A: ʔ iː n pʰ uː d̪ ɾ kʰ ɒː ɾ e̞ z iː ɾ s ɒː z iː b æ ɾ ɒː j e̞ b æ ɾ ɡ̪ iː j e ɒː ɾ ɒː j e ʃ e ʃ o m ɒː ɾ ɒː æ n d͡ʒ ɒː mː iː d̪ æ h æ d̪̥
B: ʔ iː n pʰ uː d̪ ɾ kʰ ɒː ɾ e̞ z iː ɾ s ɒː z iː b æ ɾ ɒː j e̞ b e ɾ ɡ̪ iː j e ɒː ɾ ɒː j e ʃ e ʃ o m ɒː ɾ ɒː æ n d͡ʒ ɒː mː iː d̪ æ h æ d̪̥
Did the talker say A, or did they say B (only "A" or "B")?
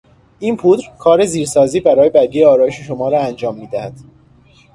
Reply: A